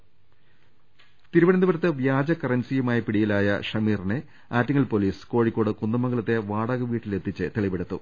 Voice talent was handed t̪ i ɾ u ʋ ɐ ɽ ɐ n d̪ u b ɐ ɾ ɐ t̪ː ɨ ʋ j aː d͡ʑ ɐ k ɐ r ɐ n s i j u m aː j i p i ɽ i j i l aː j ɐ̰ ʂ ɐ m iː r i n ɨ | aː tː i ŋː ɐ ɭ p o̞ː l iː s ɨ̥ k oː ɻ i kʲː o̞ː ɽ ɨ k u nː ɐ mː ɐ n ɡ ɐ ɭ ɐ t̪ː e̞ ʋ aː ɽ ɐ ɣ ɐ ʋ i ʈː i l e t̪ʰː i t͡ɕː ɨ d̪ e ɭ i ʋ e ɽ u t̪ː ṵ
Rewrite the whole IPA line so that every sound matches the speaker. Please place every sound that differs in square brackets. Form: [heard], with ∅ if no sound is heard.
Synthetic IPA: t̪ i ɾ u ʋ ɐ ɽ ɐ n d̪ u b ɐ ɾ ɐ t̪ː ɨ ʋ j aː d͡ʑ ɐ k ɐ r ɐ n s i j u m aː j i p i ɽ i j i l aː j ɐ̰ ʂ ɐ m iː r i n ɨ | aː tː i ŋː ɐ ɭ p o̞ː l iː s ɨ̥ k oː ɻ i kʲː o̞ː ɽ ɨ k u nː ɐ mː ɐ [ŋ] ɡ ɐ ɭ ɐ t̪ː e̞ ʋ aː ɽ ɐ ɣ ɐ ʋ [iː] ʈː i l e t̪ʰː i t͡ɕː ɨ [t̪] e ɭ i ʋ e ɽ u t̪ː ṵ